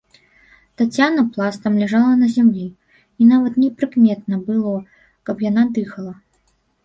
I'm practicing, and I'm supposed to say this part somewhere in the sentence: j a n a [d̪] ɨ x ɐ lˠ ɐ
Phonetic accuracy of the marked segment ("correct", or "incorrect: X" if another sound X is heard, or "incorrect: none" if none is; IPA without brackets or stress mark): correct